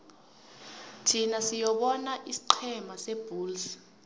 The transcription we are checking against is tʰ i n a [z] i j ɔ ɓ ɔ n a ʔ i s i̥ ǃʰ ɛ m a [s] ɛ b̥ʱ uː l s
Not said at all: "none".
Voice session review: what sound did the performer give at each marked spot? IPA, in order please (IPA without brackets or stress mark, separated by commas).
s, s